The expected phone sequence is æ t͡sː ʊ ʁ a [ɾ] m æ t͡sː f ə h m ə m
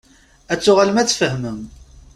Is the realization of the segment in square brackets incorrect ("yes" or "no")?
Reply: yes